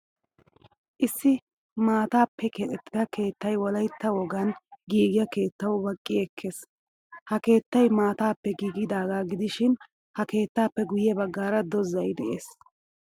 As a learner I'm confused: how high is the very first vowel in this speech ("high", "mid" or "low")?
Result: high